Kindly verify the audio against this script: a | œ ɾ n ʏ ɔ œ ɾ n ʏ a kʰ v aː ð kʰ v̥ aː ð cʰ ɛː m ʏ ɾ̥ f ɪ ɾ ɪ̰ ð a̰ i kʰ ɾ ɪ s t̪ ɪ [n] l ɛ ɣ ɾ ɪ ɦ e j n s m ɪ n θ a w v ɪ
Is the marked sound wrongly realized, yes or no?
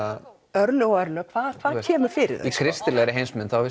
yes